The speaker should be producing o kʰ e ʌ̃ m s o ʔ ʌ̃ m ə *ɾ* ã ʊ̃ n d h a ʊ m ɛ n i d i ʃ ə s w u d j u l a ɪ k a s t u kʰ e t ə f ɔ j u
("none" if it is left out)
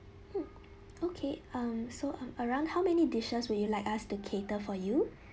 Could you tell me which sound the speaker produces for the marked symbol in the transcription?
ɹ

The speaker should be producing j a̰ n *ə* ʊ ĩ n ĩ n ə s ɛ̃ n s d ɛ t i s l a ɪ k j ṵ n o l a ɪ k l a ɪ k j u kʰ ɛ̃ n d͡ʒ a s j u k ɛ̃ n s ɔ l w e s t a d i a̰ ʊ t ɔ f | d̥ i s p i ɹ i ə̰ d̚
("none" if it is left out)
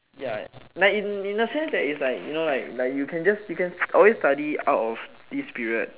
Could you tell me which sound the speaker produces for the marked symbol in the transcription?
a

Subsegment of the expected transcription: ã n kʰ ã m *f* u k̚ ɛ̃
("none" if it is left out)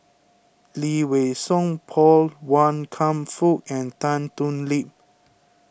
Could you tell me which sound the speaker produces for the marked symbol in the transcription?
f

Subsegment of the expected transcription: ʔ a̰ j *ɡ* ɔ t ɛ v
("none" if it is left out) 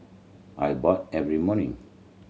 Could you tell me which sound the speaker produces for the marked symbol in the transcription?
b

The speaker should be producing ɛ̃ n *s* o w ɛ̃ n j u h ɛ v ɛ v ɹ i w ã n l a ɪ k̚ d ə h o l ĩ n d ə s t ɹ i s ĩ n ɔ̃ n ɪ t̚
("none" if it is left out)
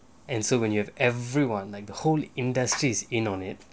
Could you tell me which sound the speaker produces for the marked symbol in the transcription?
s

